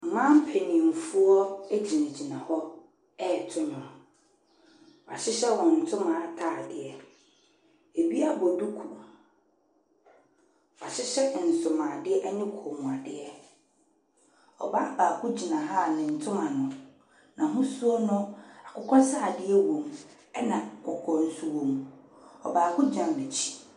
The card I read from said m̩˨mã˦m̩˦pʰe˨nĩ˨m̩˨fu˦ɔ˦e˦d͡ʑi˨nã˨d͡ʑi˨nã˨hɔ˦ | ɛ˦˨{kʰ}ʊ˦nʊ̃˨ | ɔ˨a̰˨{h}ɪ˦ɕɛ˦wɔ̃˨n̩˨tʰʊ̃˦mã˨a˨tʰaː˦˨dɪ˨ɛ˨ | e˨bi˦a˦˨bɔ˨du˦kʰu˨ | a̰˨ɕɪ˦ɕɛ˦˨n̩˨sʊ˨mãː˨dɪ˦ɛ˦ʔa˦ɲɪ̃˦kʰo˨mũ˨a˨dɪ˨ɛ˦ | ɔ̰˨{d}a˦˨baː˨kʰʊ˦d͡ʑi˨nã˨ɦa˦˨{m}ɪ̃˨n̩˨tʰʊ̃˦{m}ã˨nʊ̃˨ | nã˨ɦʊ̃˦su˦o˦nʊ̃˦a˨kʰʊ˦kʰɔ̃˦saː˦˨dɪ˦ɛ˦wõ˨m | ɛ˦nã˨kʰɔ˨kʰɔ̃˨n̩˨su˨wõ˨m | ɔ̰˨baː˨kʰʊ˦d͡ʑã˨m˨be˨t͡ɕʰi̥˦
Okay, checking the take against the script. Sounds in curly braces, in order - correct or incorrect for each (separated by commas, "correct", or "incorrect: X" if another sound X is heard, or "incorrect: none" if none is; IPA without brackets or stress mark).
incorrect: tʰ, incorrect: ɕ, incorrect: b, incorrect: n, correct